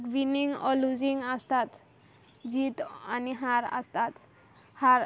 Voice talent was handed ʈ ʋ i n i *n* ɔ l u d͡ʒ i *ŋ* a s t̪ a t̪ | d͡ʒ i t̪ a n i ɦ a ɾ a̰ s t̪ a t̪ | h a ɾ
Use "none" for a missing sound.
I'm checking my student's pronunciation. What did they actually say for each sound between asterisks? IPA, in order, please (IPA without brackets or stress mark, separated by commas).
ŋ, ŋ